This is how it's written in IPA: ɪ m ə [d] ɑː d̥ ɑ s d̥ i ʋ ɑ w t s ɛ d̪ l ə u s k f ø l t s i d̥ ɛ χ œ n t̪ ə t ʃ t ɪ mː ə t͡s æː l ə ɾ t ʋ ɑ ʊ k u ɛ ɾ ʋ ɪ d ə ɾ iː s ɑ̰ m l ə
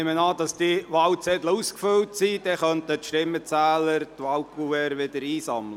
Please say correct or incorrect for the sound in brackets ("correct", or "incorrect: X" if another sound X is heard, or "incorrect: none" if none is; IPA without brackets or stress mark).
incorrect: n